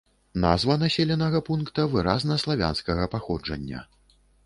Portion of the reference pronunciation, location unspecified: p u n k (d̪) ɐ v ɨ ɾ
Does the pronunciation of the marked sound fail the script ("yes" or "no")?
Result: yes